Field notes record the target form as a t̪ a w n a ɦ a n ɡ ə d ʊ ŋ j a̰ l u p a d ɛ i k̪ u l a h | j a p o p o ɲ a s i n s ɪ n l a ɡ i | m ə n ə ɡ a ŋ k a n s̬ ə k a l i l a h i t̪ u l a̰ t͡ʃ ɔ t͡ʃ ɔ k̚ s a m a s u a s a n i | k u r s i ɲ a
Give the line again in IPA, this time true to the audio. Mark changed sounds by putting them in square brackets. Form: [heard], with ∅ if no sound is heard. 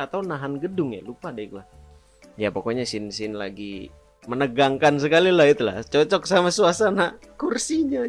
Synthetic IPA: a t̪ a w n a ɦ a n ɡ ə d ʊ ŋ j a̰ l u p a d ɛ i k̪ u l a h | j a p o [k] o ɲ a s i n s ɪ n l a ɡ i | m ə n ə ɡ a ŋ k a n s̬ ə k a l i l a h i t̪ u l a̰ t͡ʃ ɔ t͡ʃ ɔ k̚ s a m a s u a s a n [a] | k u r s i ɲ a